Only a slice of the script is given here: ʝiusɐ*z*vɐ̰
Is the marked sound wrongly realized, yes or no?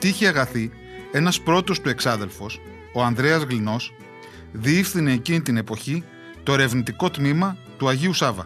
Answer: yes